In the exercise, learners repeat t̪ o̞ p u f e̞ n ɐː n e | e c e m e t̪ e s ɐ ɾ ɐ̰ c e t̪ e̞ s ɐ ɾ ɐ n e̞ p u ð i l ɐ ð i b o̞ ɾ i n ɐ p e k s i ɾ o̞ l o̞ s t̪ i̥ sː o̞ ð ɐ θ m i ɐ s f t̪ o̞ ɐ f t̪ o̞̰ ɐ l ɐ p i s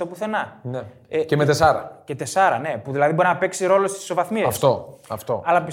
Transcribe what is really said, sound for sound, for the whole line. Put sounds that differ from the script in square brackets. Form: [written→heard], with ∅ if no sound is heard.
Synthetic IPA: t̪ o̞ p u [f→θ] e̞ n [ɐː→ɐ] n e | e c e m e t̪ e s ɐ ɾ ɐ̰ c e t̪ e̞ s ɐ ɾ ɐ n e̞ p u ð i l ɐ ð i b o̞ ɾ i n ɐ p e k s i ɾ o̞ l o̞ s t̪ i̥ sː o̞ [ð→v] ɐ θ m i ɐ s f t̪ o̞ ɐ f t̪ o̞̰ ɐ l ɐ p i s